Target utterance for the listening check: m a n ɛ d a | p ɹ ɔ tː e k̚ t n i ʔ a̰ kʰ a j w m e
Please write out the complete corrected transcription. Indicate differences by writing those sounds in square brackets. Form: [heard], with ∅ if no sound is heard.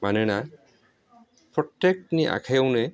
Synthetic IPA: m a n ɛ [n] a | p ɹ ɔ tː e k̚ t n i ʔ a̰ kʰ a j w [n] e